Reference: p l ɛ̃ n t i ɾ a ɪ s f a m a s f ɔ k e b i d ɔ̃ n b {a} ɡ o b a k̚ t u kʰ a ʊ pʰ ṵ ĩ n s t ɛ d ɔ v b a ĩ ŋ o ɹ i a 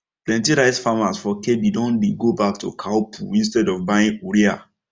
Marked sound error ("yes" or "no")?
yes